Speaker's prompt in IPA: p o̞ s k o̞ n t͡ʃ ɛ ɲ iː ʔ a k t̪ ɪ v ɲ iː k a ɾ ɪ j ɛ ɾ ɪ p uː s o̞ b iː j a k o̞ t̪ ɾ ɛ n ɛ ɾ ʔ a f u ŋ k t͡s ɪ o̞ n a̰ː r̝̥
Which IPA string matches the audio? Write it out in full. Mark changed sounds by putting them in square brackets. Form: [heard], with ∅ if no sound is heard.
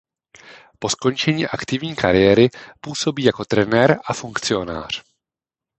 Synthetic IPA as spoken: p o̞ s k o̞ n t͡ʃ ɛ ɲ iː ʔ a k t̪ ɪ v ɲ iː k a ɾ ɪ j ɛ ɾ ɪ p uː s o̞ b iː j a k o̞ t̪ ɾ ɛ n ɛ ɾ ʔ a f u ŋ k t͡s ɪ o̞ n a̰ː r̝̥